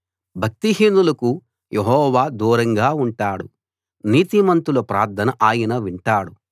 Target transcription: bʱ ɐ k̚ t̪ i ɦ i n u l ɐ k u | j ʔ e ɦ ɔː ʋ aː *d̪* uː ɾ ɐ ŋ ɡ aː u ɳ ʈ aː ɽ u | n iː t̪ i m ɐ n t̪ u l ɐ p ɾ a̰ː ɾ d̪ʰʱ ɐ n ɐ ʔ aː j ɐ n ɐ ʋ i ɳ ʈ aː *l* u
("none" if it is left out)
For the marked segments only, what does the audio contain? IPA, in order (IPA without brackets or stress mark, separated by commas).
d̪, ɽ